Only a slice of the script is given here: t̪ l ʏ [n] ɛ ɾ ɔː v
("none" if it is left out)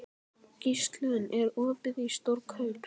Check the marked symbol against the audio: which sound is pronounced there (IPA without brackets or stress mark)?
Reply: n